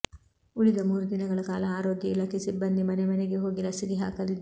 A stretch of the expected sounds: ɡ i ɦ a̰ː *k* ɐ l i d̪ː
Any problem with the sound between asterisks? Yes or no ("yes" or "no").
no